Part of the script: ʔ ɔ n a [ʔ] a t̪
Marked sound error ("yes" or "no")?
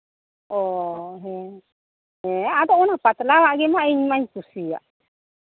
yes